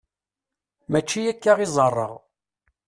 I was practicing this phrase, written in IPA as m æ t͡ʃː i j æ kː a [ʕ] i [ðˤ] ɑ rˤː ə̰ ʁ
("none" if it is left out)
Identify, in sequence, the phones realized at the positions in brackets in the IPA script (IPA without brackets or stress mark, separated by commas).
ʁ, zˤ